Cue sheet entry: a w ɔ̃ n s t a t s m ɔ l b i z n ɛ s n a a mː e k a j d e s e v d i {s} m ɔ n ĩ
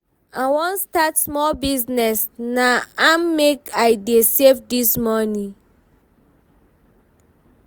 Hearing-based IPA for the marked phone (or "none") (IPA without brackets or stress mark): s